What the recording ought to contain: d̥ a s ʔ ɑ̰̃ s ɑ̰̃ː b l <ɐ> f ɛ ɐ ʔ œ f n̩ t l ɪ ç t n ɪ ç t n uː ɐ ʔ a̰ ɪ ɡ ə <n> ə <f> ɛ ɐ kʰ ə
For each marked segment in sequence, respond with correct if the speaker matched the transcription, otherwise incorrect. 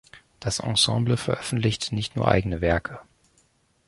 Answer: incorrect: ə, correct, incorrect: v

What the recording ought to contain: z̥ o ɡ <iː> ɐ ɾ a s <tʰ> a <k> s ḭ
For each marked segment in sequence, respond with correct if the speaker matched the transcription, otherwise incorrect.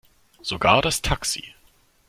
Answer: incorrect: aː, correct, correct

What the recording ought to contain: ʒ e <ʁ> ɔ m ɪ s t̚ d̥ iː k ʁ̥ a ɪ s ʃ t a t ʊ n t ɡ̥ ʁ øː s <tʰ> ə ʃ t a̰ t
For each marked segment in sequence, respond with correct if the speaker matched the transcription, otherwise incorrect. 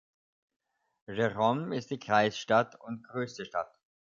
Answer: correct, incorrect: t

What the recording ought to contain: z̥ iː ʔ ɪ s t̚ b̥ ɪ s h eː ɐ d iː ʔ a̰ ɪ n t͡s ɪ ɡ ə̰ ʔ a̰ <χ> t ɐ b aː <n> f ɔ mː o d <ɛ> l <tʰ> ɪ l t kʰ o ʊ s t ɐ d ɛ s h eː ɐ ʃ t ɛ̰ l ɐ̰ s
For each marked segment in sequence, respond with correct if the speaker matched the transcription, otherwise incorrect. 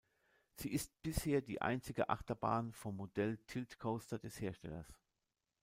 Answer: correct, correct, correct, correct

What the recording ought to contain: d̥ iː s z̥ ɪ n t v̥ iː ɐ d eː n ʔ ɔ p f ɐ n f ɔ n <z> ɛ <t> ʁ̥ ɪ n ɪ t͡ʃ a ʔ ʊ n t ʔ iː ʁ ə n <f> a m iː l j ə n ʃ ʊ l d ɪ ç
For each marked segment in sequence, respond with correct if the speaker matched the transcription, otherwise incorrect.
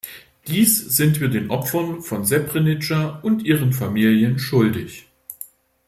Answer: correct, incorrect: p, correct

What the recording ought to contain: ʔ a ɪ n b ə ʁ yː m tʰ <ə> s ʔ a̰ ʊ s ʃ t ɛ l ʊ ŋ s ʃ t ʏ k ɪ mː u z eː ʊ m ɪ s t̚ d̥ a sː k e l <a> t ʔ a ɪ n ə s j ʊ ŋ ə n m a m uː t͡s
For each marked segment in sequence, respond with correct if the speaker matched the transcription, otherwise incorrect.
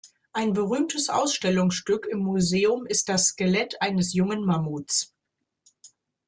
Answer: correct, incorrect: ɛ

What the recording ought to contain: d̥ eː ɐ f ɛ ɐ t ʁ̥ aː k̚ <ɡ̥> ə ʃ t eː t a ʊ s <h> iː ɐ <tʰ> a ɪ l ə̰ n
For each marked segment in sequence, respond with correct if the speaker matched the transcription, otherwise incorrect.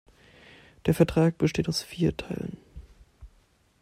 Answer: incorrect: b̥, incorrect: f, correct

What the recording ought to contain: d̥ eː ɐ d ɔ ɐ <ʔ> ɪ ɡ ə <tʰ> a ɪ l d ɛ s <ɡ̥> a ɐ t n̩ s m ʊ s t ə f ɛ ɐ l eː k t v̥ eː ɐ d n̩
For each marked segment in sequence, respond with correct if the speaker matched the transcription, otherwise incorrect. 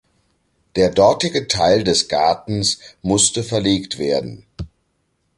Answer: incorrect: t, correct, correct

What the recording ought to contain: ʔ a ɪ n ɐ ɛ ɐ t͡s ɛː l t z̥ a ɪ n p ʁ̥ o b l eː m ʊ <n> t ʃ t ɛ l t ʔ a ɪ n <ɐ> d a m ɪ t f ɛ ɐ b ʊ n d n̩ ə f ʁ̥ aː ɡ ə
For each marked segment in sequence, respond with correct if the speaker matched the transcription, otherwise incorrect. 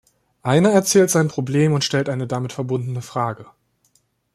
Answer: correct, incorrect: ə

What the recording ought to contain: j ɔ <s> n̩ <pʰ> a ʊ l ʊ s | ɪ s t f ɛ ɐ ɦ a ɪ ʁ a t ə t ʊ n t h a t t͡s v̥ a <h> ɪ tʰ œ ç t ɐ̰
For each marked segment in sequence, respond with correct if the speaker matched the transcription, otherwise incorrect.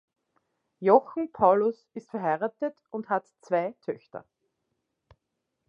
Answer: incorrect: x, correct, incorrect: none

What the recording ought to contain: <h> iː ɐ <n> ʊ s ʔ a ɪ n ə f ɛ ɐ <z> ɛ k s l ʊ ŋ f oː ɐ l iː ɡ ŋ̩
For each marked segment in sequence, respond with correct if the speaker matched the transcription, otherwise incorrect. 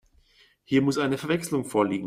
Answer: correct, incorrect: m, incorrect: v

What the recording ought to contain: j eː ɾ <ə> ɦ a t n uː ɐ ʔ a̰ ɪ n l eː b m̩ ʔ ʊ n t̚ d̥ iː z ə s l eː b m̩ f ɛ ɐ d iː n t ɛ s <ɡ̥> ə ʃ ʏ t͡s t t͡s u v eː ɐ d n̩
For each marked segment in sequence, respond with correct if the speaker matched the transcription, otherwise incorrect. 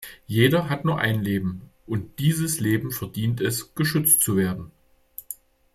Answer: incorrect: ɐ, correct

